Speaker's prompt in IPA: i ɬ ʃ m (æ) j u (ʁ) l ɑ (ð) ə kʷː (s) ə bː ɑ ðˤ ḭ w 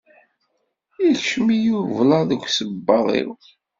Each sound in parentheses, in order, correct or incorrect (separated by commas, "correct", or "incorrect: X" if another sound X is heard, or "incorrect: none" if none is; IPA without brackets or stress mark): incorrect: i, incorrect: v, correct, correct